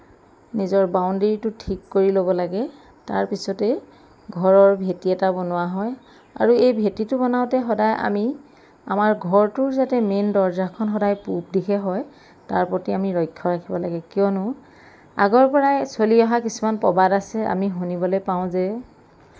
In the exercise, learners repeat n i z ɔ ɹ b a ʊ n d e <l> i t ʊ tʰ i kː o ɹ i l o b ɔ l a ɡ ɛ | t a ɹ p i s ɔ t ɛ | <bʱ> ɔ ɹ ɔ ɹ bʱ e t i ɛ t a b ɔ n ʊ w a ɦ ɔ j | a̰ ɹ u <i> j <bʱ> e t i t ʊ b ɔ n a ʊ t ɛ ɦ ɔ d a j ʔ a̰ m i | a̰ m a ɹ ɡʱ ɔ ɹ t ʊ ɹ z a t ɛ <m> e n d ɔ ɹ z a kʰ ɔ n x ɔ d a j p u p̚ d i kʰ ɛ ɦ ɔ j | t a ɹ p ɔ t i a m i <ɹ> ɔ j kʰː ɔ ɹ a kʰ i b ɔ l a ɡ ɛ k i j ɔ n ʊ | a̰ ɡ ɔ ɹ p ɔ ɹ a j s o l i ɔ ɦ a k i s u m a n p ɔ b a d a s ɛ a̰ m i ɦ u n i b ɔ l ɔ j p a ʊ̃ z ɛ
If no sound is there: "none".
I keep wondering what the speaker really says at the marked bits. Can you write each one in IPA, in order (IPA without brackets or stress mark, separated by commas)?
ɹ, ɡʱ, e, bʱ, m, ɹ